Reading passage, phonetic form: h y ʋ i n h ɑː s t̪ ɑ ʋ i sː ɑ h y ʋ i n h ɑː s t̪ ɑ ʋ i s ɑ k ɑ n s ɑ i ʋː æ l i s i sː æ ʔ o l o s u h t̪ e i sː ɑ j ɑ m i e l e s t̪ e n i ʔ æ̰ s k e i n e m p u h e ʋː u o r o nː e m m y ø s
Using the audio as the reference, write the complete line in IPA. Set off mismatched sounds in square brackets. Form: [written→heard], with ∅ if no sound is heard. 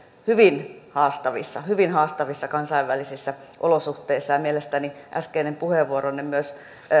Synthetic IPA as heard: h y ʋ i n h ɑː s t̪ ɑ ʋ i sː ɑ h y ʋ i n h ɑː s t̪ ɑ ʋ i [s→sː] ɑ k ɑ n s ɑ i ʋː æ l i s i sː æ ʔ o l o s u h t̪ e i sː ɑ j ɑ m i e l e s t̪ [e→æ] n i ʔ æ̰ s k e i n e m p u h e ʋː u o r o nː e m m y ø s